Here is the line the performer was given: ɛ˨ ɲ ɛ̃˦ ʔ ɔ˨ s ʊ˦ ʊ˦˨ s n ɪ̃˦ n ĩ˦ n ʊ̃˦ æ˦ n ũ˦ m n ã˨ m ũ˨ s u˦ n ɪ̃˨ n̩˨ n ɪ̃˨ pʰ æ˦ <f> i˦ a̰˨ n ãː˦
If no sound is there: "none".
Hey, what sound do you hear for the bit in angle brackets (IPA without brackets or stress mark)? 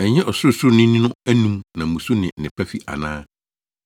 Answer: f